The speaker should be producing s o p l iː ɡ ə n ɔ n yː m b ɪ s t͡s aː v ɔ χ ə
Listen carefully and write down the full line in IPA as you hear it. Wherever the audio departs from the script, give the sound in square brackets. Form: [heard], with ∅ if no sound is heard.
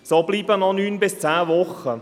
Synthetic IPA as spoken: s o [b] l iː [b] ə n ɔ n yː [n] b ɪ s t͡s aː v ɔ χ ə

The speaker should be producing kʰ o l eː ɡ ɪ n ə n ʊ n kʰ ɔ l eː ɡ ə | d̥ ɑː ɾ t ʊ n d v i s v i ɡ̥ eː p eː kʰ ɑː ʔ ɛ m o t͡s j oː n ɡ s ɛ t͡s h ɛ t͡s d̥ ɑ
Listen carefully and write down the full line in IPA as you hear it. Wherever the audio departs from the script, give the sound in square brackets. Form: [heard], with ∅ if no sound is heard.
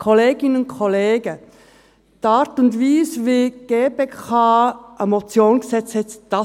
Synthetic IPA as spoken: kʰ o l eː ɡ ɪ n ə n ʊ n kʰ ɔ l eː ɡ ə | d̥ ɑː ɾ t ʊ n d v [iː] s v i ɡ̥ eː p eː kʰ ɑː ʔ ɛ m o t͡s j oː n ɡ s ɛ t͡s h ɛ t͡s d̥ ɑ

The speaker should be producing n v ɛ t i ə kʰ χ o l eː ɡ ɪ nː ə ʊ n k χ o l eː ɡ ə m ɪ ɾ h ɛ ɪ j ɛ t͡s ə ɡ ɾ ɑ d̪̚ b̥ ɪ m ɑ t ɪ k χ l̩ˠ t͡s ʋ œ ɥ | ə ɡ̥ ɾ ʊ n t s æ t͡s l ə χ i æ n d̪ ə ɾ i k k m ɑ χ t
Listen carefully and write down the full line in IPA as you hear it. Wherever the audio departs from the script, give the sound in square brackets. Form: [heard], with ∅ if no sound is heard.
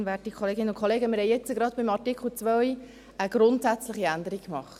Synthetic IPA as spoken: n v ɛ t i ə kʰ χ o l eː ɡ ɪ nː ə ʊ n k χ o l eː ɡ ə m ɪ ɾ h ɛ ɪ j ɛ t͡s ə ɡ ɾ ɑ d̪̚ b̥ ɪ m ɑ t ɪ k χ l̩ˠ t͡s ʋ œ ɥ | ə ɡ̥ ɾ ʊ n t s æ t͡s l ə χ i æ n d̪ ə ɾ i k k m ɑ χ t

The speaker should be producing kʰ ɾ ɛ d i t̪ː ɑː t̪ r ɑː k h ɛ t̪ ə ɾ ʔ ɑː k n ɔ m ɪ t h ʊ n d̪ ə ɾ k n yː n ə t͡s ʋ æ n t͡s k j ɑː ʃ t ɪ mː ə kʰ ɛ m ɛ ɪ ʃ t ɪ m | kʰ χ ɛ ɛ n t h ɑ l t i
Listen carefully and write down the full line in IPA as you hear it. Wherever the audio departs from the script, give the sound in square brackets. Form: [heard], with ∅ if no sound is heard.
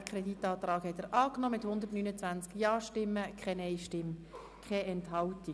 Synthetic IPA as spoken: kʰ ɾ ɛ d i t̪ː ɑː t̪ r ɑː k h ɛ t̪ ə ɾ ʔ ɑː k n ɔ m ɪ t h ʊ n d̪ ə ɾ [t] n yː n ə t͡s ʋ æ n t͡s k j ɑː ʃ t ɪ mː ə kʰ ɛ [n] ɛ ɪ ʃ t ɪ m | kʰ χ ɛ ɛ n t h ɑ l t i

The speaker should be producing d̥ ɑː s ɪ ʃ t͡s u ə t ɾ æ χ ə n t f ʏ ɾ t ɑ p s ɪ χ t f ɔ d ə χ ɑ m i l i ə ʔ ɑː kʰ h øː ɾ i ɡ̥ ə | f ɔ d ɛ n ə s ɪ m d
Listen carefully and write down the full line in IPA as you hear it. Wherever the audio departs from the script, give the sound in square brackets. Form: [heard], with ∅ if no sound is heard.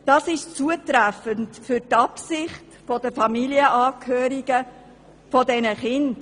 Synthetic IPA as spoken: d̥ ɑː s ɪ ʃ t͡s u ə t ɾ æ [f] ə n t f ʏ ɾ t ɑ p s ɪ χ t f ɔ d ə [f] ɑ m i l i ə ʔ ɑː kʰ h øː ɾ i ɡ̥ ə | f ɔ d ɛ n ə [χ] ɪ [n] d

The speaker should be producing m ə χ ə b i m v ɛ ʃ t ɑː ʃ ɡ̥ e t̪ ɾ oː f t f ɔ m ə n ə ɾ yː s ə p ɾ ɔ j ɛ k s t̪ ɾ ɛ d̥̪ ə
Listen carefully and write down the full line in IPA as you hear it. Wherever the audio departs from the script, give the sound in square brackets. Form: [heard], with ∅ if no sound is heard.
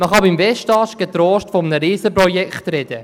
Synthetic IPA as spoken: m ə χ [ɑ] b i m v ɛ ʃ t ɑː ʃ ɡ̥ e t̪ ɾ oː [ʃ] t f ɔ m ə n ə ɾ [iː] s ə p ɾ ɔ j ɛ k [χ] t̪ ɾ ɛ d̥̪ ə

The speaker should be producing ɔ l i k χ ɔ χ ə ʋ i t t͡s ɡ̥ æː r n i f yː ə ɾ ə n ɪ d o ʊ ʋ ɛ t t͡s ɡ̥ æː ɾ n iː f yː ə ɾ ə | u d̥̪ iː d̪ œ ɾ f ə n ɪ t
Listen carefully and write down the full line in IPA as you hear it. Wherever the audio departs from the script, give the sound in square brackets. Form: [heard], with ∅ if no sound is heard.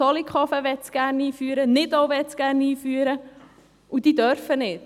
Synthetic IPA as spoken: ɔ l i k χ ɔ [f] ə ʋ [ɛ] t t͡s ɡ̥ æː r n [iː] f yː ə ɾ ə n ɪ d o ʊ ʋ ɛ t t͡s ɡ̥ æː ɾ n iː f yː ə ɾ ə | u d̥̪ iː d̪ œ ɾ f ə n ɪ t

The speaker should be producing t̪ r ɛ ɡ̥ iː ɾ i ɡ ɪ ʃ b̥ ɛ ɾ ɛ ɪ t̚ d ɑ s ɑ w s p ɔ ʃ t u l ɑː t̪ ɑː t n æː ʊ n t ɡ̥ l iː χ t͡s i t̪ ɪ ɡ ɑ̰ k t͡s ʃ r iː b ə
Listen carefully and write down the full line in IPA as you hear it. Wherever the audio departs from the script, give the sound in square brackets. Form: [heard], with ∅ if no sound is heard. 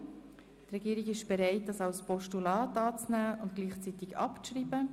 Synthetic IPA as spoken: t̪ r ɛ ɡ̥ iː ɾ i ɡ ɪ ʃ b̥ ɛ ɾ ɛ ɪ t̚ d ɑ s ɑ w s p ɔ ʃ t u l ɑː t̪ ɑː [t͡s] n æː ʊ n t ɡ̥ l iː χ t͡s i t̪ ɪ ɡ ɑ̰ [p] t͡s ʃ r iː b ə

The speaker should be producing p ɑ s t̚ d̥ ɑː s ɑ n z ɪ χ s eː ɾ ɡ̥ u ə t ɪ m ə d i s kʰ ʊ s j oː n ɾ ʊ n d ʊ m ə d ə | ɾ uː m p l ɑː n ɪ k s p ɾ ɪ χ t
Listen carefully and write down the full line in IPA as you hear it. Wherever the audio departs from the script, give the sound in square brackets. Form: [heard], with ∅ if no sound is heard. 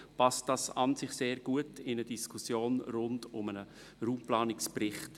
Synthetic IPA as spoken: p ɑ s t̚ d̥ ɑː s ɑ n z ɪ χ s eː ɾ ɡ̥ u ə t ɪ [n] ə d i s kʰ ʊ s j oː n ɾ ʊ n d ʊ m ə [n] ə | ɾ uː m p l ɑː n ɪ k s p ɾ ɪ χ t

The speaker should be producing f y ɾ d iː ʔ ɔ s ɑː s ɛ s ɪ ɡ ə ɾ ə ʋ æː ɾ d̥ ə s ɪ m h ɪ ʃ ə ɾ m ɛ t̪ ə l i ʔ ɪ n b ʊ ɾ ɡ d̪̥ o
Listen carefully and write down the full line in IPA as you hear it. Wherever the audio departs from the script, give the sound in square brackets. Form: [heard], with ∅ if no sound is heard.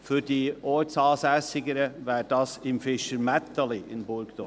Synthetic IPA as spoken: f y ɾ d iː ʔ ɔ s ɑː s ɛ s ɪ ɡ ə ɾ ə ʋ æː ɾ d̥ [ɑ] s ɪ m [f] ɪ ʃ ə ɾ m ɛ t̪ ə l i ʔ ɪ n b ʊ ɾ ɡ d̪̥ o

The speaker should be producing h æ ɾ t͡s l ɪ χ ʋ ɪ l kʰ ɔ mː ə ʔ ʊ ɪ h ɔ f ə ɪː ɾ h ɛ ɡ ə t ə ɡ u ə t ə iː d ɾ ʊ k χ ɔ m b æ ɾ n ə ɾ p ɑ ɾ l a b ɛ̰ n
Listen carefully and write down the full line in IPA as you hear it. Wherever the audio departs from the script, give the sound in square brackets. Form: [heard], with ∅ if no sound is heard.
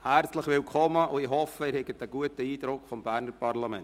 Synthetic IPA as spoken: h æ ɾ t͡s l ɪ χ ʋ ɪ l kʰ ɔ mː ə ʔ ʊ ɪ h ɔ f ə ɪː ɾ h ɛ ɡ ə t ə ɡ u ə t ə iː d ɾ ʊ k [f] ɔ m b æ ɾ n ə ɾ p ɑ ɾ l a [m] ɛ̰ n

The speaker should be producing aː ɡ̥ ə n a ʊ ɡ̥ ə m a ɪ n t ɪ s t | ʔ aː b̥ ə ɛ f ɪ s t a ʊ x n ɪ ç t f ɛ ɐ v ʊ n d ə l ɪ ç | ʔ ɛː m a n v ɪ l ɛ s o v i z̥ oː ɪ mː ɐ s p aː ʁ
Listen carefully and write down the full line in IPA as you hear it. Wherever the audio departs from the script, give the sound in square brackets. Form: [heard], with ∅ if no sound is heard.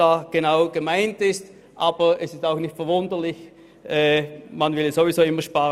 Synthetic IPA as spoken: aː ɡ̥ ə n a ʊ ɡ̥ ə m a ɪ n t ɪ s t | ʔ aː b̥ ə ɛ [s] ɪ s t a ʊ x n ɪ ç t f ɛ ɐ v ʊ n d ə l ɪ ç | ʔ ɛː m a n v ɪ l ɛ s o v i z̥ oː ɪ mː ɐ [ʃ] p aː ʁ

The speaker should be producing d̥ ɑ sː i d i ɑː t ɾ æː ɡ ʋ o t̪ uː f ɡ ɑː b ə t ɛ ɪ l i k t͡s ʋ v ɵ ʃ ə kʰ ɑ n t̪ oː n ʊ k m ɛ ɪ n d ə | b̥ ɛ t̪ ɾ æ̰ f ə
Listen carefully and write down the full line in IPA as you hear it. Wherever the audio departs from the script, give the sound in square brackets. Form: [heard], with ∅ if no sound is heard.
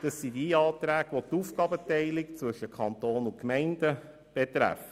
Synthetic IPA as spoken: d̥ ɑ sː i d i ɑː t ɾ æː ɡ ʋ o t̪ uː f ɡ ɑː b ə t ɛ ɪ l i k t͡s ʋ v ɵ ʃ ə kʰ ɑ n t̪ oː n ʊ k m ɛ ɪ n d ə | b̥ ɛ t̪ ɾ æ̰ f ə

